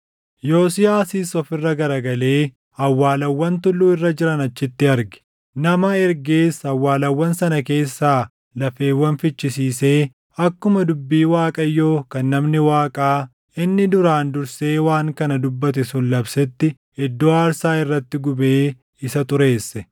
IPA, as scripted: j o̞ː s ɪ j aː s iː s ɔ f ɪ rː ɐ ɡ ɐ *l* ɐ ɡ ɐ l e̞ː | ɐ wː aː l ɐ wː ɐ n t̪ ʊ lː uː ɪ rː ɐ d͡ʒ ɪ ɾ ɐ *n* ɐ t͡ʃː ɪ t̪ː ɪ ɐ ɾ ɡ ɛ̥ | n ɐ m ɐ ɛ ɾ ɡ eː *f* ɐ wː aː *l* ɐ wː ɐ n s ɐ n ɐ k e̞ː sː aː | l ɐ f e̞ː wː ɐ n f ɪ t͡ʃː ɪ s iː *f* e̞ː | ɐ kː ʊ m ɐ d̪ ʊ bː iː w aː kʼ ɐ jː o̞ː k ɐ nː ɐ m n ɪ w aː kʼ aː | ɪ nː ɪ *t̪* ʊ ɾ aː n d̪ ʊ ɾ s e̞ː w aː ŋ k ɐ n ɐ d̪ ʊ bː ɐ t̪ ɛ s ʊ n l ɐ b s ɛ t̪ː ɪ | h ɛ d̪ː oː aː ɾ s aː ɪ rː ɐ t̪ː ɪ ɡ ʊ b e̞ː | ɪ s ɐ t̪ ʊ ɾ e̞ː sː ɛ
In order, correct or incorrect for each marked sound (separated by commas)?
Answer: incorrect, correct, incorrect, correct, incorrect, incorrect